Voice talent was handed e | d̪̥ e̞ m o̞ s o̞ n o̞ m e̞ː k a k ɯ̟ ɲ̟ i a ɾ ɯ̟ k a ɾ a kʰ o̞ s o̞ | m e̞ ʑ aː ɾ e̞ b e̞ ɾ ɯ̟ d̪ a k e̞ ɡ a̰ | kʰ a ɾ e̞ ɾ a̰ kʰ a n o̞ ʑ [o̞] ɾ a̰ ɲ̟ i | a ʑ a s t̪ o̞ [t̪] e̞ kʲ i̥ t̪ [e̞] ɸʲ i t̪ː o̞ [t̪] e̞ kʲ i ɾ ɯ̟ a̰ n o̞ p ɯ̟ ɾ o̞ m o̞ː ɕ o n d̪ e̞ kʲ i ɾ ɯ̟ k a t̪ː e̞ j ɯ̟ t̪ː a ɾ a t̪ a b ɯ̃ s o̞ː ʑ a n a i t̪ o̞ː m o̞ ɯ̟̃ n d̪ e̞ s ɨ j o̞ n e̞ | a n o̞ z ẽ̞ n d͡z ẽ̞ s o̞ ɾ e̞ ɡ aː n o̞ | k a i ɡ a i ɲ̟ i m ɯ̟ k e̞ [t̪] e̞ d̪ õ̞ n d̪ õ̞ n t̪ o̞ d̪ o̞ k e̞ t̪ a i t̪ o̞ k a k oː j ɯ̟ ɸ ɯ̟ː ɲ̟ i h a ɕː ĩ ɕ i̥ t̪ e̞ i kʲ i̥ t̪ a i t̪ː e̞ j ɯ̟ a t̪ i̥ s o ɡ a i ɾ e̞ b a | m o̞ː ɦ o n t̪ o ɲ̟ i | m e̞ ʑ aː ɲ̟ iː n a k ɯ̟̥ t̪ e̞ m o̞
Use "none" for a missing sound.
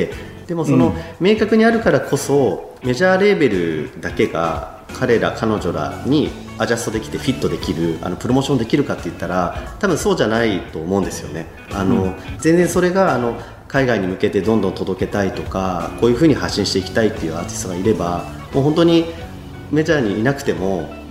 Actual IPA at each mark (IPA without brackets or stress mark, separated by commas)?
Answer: o̞, d̪, e̞, d̪, t̪